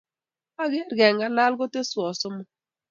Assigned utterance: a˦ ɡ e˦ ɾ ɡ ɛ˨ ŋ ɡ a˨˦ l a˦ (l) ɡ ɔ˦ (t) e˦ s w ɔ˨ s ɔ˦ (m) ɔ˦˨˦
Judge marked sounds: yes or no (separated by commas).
yes, yes, yes